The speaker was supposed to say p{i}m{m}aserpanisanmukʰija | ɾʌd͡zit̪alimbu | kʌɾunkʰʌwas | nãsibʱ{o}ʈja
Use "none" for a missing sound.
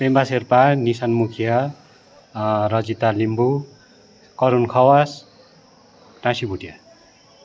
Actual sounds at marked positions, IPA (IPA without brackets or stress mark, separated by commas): e, b, u